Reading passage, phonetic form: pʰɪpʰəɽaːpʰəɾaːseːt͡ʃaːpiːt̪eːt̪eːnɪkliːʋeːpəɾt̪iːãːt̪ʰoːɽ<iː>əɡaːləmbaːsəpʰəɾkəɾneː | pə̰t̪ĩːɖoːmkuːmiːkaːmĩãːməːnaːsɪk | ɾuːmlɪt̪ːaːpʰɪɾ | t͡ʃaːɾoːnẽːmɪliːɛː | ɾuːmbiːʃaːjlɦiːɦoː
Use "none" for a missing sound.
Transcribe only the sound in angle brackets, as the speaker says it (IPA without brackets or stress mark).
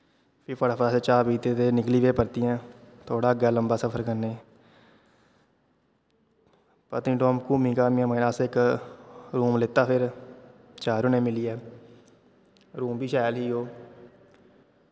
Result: aː